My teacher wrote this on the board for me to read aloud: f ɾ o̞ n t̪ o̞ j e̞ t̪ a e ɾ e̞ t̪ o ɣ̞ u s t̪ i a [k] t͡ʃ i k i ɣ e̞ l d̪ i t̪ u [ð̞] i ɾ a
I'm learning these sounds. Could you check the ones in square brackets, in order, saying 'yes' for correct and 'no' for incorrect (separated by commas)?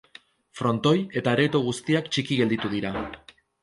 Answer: yes, yes